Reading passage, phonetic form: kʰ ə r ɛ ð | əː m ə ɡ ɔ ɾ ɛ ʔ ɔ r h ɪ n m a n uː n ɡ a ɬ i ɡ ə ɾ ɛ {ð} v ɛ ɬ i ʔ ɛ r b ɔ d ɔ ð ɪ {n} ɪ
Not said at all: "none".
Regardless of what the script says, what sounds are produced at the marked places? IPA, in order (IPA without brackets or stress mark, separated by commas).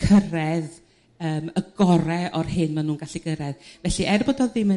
ð, m